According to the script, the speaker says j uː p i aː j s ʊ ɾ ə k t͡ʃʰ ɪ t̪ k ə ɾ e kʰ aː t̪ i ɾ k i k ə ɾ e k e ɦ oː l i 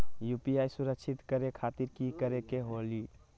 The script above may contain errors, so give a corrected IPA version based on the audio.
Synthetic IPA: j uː p i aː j s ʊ ɾ ə k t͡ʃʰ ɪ t̪ k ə ɾ e kʰ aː t̪ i ɾ k i k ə ɾ e k e ɦ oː l i